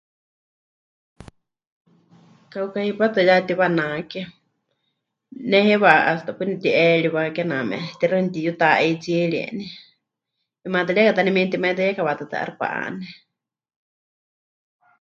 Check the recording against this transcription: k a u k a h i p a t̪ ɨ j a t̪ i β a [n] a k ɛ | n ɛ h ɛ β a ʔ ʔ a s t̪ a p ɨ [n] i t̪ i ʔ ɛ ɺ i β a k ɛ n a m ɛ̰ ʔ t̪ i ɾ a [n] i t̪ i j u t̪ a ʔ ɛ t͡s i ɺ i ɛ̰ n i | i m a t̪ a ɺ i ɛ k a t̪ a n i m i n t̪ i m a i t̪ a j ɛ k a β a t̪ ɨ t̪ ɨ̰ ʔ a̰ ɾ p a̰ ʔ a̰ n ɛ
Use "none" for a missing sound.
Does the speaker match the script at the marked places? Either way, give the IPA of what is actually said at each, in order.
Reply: n, n, n

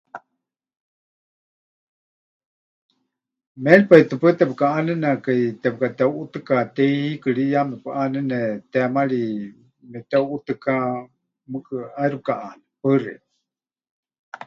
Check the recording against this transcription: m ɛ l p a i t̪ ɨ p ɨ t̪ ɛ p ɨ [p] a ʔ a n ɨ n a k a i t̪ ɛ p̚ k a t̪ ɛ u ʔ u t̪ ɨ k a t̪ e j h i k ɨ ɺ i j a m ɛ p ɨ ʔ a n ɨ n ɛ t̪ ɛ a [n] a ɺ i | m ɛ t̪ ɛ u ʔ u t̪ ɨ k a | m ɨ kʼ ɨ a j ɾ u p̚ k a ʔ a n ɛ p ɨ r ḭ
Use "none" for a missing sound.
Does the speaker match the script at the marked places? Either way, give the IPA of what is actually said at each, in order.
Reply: k, m

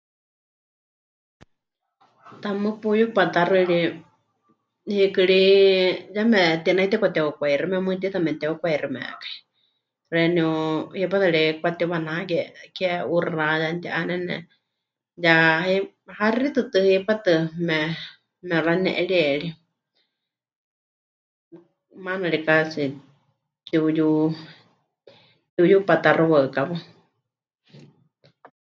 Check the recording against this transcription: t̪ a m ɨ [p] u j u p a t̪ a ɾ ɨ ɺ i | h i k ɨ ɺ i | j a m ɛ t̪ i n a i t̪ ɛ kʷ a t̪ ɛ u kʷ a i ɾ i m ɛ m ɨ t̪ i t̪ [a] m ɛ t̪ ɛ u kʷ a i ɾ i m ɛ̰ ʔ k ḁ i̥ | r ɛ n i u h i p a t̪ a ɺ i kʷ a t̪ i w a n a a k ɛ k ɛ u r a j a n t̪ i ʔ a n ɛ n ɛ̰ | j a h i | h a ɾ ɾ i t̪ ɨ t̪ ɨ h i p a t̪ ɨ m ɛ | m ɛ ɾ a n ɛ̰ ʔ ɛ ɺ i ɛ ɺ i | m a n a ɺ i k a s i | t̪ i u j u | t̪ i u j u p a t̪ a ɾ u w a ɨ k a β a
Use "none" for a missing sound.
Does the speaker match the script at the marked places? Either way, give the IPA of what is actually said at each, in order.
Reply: p, a

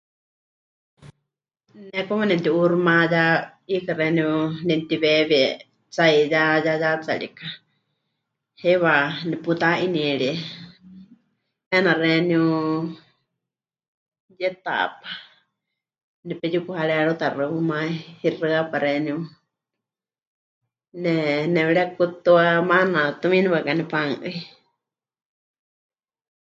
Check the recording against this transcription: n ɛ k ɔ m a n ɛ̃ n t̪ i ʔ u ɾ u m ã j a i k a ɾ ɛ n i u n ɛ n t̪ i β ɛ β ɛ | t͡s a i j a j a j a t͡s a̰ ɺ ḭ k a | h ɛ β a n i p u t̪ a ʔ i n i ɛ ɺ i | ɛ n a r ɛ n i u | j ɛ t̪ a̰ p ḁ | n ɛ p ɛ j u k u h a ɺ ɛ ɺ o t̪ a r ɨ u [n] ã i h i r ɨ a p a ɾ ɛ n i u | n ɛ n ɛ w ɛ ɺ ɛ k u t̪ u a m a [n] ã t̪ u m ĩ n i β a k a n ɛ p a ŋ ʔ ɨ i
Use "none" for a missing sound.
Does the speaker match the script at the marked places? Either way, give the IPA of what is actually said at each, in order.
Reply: m, n

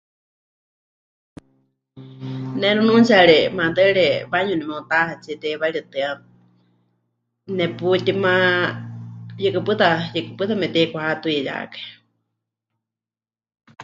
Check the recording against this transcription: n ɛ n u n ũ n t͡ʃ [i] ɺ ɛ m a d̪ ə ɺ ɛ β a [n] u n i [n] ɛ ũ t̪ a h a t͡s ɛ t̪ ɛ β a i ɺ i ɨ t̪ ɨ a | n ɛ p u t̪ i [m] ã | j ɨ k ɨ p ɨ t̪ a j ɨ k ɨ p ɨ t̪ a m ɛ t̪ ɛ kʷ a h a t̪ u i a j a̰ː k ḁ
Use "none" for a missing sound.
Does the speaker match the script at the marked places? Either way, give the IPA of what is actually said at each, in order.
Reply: a, ɲ, m, m

